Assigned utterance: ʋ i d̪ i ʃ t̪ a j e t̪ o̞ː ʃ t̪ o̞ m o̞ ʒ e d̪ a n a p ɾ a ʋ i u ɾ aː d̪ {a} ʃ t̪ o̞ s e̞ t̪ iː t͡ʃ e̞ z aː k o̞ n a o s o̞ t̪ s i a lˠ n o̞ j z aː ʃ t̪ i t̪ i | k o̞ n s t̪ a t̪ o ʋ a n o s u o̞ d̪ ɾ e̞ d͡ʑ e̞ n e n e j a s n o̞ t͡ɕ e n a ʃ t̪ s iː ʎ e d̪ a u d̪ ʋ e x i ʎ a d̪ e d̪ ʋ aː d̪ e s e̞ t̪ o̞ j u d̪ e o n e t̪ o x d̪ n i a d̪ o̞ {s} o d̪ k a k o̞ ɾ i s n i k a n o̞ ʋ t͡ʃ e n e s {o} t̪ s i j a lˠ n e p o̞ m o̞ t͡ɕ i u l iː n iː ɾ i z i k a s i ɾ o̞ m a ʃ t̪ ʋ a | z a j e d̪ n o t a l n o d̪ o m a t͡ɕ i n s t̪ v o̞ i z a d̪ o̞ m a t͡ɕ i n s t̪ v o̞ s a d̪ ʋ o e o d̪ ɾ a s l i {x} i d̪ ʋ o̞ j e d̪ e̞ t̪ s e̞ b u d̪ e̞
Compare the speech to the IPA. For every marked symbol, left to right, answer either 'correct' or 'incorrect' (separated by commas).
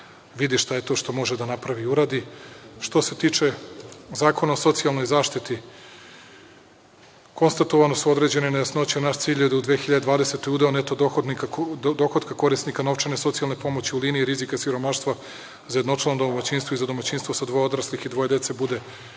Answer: incorrect, incorrect, correct, correct